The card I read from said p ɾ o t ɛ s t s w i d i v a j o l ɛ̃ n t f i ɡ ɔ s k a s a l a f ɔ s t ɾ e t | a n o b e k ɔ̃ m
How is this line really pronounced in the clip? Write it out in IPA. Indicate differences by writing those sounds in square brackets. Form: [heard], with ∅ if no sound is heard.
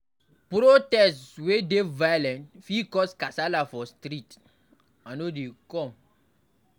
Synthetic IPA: p ɾ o t ɛ s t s w [e] d [e] v a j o l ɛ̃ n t f i [k] ɔ s k a s a l a f ɔ s t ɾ [i] t | a n o [d] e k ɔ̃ m